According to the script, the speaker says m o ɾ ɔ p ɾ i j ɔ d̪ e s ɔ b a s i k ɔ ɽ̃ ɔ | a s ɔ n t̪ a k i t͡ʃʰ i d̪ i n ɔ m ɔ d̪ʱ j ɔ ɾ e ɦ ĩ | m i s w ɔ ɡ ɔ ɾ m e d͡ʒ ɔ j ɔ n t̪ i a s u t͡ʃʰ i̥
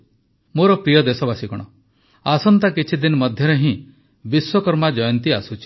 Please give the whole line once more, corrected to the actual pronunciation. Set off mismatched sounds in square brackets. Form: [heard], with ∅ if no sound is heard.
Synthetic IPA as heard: m o ɾ ɔ p ɾ i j ɔ d̪ e s ɔ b a s i k ɔ ɽ̃ ɔ | a s ɔ n t̪ a k i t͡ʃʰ i d̪ i n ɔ m ɔ d̪ʱ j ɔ ɾ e ɦ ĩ | [b] i s w ɔ [k] ɔ ɾ m [a] d͡ʒ ɔ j ɔ n t̪ i a s u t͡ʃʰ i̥

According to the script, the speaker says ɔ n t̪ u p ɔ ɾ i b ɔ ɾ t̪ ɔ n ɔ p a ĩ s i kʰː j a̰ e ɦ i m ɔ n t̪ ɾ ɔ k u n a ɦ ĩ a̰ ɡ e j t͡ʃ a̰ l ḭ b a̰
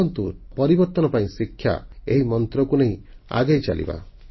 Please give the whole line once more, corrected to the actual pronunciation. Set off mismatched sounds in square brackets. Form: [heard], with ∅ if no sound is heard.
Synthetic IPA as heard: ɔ n t̪ u p ɔ ɾ i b ɔ ɾ t̪ ɔ n ɔ p a ĩ s i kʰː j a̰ e ɦ i m ɔ n t̪ ɾ ɔ k u n [e] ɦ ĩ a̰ ɡ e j t͡ʃ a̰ l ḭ b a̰

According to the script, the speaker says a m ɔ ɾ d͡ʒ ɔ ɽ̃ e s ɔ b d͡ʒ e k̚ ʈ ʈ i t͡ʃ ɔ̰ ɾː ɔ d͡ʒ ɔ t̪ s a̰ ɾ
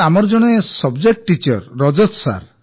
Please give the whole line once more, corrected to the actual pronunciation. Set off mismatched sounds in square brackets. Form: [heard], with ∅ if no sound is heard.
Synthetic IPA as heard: a m ɔ ɾ d͡ʒ ɔ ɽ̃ e s ɔ b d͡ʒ e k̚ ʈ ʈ i t͡ʃ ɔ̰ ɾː ɔ d͡ʒ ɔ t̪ s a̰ ɾ

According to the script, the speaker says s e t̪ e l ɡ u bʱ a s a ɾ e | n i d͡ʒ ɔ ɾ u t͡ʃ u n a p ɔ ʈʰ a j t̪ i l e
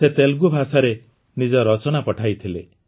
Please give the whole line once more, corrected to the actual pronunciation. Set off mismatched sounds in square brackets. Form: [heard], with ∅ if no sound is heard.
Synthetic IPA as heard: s e t̪ e l ɡ u bʱ a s a ɾ e | n i d͡ʒ ɔ ɾ [ɔ] t͡ʃ [ɔ] n a p ɔ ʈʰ a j [t̪ʰ] i l e

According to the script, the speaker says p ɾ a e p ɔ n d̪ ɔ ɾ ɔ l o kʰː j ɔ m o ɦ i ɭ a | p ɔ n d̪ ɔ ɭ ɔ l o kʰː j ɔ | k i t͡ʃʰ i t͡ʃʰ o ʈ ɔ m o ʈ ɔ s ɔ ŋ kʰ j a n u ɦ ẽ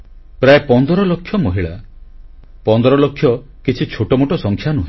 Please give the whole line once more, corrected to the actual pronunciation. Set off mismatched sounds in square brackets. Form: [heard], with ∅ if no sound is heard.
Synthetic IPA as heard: p ɾ a e p ɔ n d̪ ɔ ɾ ɔ l o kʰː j ɔ m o ɦ i ɭ a | p ɔ n d̪ ɔ [ɾ] ɔ l o kʰː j ɔ | k i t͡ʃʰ i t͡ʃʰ o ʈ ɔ m o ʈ ɔ s ɔ ŋ kʰ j a n u ɦ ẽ

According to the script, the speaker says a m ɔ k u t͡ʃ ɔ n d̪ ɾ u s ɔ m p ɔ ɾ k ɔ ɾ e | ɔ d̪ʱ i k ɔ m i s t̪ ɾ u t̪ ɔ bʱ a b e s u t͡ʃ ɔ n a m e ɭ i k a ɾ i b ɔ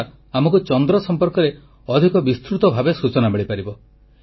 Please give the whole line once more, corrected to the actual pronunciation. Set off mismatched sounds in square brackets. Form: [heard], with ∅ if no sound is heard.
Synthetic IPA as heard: a m ɔ k u t͡ʃ ɔ n d̪ ɾ [ɔ] s ɔ m p ɔ ɾ k ɔ ɾ e | ɔ d̪ʱ i k ɔ [b] i s t̪ ɾ u t̪ ɔ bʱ a b e s u t͡ʃ ɔ n a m e ɭ i [p] a ɾ i b ɔ

